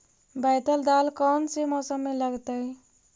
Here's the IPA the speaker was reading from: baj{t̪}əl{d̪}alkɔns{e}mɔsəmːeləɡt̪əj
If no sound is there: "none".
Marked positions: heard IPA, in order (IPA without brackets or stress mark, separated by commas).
t̪, d̪, e